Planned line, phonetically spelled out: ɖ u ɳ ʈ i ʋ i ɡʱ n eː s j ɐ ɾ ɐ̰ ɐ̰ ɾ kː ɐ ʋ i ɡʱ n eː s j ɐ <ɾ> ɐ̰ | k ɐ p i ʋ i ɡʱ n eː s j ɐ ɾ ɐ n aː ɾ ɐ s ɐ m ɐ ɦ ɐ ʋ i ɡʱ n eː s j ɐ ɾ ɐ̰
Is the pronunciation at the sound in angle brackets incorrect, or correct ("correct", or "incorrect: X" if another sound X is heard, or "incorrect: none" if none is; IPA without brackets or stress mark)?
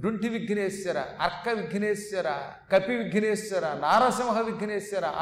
correct